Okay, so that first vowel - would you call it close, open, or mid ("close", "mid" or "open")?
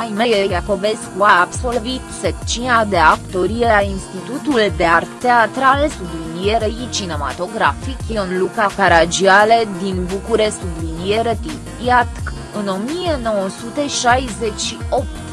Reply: open